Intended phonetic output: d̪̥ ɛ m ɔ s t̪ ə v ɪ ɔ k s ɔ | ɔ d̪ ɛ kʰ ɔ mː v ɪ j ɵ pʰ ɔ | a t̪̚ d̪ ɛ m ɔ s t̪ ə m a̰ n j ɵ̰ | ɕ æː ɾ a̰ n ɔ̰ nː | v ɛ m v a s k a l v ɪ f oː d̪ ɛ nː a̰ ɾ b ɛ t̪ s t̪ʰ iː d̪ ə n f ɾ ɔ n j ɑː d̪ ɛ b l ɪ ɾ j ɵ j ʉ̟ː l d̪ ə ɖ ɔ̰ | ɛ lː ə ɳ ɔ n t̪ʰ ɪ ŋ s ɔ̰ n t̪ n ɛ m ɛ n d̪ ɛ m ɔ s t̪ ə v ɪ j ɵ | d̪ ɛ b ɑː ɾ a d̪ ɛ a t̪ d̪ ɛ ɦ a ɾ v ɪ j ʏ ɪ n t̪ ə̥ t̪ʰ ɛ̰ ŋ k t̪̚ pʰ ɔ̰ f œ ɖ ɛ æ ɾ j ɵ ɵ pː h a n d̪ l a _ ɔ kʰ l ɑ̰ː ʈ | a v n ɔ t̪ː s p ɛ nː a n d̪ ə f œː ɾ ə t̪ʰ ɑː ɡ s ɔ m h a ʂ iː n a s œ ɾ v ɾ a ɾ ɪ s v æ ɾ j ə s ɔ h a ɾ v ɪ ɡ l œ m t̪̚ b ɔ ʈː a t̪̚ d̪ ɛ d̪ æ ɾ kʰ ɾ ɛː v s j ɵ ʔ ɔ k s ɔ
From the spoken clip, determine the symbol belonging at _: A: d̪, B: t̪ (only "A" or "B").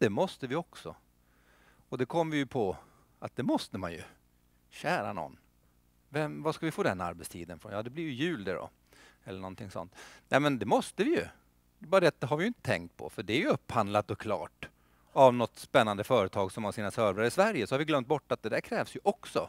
B